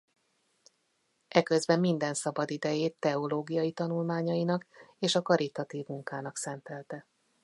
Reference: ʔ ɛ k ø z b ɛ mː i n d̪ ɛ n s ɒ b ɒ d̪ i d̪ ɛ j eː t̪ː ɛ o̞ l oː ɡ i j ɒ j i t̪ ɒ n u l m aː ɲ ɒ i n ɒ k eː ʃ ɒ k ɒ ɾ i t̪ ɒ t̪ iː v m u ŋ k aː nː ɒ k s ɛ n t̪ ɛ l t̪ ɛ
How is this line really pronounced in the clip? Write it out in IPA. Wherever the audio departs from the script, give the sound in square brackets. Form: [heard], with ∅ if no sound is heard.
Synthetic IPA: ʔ ɛ k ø z b ɛ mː i n d̪ ɛ n s ɒ b ɒ d̪ i d̪ ɛ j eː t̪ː ɛ o̞ l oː ɡ i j ɒ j i t̪ ɒ n u l m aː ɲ ɒ i n ɒ k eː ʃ ɒ k ɒ ɾ i t̪ ɒ t̪ iː v m u ŋ k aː [n] ɒ k s ɛ n t̪ ɛ l t̪ ɛ